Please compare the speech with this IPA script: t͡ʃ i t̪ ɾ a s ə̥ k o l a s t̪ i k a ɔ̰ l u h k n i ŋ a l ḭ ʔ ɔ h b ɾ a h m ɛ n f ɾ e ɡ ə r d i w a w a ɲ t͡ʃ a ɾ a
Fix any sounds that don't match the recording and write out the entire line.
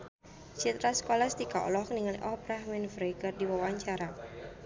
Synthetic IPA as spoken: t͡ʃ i t̪ ɾ a s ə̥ k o l a s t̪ i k a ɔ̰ l ɔ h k n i ŋ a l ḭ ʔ ɔ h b ɾ a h m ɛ n f ɾ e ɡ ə r d i w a w a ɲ t͡ʃ a ɾ a